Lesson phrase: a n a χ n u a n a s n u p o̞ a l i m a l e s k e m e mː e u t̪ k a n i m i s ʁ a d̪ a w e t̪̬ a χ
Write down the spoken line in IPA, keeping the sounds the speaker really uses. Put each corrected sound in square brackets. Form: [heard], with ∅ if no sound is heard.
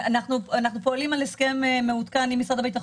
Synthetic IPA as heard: a n a χ n u a n a [χ] n u p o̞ a l i m a l e s k e m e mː e u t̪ k a n i m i s ʁ a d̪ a [b] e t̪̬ a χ